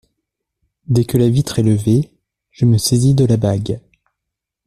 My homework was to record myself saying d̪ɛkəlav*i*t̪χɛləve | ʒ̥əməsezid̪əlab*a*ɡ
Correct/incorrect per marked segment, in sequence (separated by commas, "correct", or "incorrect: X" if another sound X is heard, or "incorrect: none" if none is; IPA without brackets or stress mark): correct, correct